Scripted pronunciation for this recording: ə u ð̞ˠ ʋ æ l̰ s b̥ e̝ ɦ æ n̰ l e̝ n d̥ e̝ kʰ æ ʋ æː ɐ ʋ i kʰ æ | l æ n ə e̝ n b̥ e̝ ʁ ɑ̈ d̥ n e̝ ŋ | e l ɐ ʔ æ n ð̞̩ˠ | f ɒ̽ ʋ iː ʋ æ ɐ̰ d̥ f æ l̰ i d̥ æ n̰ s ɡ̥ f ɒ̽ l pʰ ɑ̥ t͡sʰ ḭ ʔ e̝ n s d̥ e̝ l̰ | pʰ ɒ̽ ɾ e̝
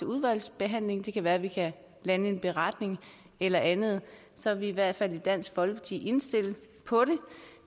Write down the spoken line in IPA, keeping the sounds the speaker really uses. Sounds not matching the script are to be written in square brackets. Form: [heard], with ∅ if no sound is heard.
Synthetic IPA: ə u ð̞ˠ ʋ æ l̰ s b̥ e̝ ɦ æ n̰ l e̝ [ŋ] d̥ e̝ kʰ æ ʋ æː ɐ ʋ i kʰ æ | l æ n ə e̝ n b̥ e̝ ʁ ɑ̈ d̥ n e̝ ŋ | e l ɐ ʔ æ n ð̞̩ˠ | [s] ɒ̽ ʋ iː ʋ æ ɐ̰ d̥ f æ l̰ i d̥ æ n̰ s ɡ̥ f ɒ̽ l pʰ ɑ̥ t͡sʰ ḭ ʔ e̝ n s d̥ e̝ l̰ | pʰ ɒ̽ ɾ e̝